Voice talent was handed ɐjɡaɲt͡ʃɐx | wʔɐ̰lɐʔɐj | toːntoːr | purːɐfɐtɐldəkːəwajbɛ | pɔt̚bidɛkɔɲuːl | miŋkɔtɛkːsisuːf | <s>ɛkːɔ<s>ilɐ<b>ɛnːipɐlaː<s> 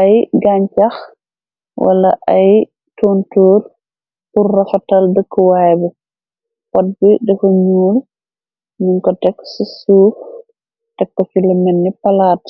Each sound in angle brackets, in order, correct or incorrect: incorrect: t, incorrect: f, incorrect: m, incorrect: t

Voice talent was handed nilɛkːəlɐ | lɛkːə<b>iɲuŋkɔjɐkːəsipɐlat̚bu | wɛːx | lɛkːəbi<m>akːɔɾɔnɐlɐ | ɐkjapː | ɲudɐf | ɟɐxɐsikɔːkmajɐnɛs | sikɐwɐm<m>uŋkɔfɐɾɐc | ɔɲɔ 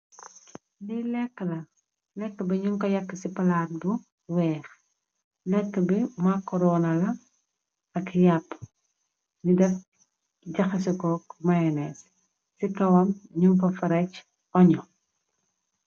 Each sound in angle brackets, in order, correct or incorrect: correct, correct, incorrect: ɲ

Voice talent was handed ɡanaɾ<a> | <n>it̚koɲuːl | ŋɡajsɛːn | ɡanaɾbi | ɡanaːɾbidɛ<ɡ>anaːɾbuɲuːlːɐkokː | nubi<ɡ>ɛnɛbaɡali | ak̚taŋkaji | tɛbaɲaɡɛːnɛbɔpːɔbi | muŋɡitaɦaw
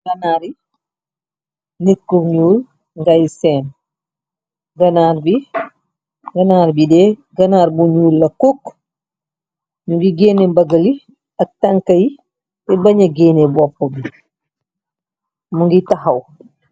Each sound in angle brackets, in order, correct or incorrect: incorrect: i, correct, correct, correct

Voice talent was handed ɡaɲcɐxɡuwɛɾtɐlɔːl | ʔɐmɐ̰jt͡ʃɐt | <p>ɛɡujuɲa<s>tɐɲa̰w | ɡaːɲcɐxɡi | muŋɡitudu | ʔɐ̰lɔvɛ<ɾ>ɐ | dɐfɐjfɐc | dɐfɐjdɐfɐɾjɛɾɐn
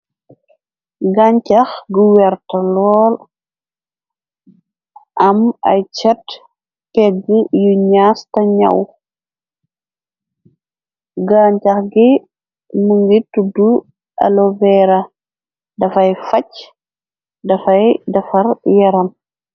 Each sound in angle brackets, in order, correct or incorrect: correct, correct, correct

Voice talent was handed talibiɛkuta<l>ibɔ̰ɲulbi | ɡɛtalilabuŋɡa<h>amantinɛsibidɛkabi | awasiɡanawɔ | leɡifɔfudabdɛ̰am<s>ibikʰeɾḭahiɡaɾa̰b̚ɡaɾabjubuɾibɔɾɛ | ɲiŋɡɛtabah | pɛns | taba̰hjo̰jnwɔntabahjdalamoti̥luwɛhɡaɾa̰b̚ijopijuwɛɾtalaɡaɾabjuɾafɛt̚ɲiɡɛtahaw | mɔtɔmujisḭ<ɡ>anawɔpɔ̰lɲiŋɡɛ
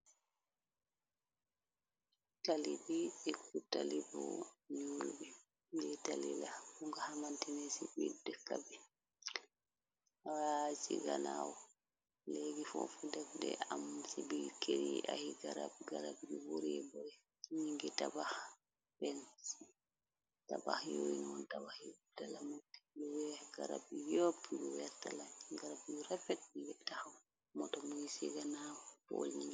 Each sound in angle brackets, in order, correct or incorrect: correct, correct, correct, correct

